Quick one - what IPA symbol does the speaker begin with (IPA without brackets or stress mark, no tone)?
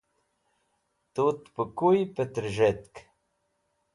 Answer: t̪